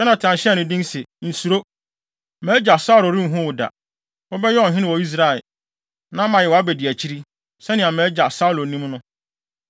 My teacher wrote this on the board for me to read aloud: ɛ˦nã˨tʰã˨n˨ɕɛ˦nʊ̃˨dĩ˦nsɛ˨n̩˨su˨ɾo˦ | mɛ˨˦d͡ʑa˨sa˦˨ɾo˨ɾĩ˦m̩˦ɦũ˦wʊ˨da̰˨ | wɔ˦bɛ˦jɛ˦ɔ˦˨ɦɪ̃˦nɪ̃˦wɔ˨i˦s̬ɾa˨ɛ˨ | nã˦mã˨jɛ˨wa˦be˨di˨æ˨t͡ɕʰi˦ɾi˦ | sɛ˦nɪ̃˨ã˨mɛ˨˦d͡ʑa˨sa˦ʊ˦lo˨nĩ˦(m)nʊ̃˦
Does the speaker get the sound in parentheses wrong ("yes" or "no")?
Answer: no